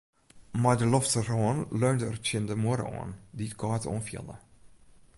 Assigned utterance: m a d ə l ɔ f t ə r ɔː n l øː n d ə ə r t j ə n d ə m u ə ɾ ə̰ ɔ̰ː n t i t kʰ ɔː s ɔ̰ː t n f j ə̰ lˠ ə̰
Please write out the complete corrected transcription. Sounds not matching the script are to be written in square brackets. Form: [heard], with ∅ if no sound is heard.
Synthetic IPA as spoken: m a d ə l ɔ f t ə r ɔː n l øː n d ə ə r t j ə n d ə m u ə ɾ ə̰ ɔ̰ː n [d] i t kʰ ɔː [t] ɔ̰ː [∅] n f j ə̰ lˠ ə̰

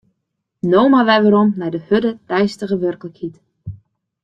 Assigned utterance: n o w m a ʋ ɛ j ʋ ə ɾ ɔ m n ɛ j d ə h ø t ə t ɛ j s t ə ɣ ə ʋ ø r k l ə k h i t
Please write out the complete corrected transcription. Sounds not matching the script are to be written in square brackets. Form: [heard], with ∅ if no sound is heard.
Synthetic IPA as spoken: n o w m a ʋ ɛ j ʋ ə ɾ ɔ m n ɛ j d ə h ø [d] ə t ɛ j s t ə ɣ ə ʋ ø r k l ə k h i t

